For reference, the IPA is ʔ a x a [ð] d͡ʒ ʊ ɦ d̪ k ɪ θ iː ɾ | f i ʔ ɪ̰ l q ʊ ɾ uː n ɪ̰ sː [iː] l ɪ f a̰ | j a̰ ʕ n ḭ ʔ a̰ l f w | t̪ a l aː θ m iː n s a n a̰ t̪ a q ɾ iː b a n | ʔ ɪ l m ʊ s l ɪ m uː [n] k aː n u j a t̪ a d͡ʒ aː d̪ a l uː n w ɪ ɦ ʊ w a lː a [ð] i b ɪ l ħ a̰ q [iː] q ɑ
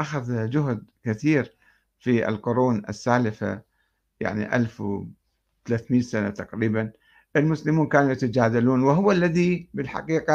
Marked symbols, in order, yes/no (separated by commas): yes, no, yes, yes, yes